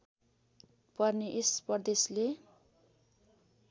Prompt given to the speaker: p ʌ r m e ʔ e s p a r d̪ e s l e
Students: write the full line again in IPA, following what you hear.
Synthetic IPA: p ʌ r n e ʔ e s p ʌ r d̪ e s l e